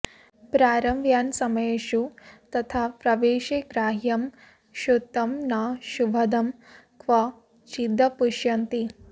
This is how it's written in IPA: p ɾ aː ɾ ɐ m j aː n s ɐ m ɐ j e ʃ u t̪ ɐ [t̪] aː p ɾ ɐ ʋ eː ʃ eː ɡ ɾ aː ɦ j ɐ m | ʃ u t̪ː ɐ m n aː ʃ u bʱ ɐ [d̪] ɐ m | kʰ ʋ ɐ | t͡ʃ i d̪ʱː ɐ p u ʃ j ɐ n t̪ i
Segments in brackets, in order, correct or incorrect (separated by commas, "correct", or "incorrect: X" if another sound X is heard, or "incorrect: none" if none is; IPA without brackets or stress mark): incorrect: t̪ʰ, correct